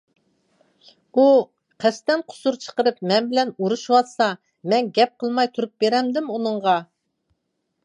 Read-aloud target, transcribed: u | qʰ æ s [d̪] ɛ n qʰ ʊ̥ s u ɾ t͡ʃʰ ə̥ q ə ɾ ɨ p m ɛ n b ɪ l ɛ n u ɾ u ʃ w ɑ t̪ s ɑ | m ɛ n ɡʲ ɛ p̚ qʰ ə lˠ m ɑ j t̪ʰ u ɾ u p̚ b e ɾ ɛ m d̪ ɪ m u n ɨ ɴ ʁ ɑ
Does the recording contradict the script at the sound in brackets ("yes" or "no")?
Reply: yes